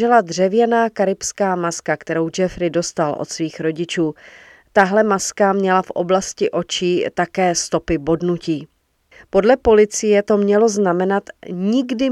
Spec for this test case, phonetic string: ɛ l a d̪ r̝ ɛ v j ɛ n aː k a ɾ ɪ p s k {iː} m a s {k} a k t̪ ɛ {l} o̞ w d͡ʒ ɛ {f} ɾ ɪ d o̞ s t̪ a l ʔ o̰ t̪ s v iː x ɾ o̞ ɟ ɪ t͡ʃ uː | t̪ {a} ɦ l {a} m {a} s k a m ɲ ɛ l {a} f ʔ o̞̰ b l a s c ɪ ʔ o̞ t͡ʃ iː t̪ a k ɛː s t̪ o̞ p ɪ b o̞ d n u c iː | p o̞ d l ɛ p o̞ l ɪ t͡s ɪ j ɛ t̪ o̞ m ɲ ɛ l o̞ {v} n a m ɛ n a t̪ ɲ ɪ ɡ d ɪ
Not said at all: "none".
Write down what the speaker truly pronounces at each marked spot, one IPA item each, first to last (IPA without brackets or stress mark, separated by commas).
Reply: aː, k, ɾ, f, a, ɛ, a, a, z